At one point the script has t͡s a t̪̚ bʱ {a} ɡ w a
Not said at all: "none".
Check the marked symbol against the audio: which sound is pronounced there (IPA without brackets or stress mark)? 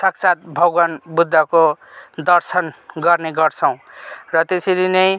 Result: ʌ